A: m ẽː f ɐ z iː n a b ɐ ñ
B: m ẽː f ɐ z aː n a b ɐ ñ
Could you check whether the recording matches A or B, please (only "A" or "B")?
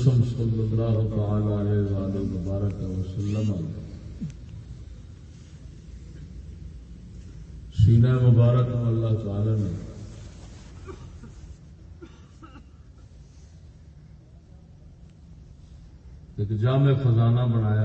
B